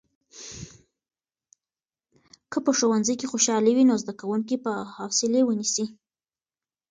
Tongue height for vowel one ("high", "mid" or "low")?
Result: mid